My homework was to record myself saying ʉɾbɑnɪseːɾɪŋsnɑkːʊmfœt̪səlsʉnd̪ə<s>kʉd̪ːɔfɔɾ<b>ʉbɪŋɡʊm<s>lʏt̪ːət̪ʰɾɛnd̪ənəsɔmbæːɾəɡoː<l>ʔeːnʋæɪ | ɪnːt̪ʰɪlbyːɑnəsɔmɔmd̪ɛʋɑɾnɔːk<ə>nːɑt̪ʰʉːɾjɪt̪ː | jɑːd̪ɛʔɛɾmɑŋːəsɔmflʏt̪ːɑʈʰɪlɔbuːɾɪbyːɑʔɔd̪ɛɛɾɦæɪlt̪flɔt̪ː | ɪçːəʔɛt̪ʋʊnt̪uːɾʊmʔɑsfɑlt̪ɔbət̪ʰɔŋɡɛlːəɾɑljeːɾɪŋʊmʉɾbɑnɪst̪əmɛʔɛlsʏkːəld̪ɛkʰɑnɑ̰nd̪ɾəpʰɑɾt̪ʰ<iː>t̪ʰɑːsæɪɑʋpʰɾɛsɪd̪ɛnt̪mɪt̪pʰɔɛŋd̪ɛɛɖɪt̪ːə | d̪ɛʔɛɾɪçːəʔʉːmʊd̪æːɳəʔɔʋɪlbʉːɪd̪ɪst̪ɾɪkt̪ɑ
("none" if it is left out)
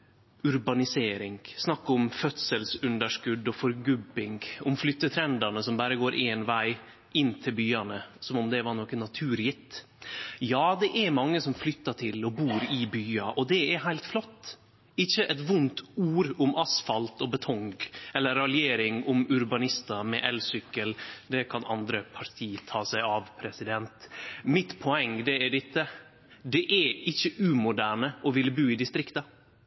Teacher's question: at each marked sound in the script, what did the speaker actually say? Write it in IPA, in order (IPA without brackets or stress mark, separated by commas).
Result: ʂ, ɡ, f, ɾ, ə, iː